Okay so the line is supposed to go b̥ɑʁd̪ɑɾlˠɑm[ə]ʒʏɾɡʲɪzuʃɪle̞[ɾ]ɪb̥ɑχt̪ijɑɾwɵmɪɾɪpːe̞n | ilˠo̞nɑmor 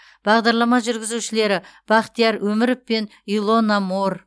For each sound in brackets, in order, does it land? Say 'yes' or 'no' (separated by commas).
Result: no, yes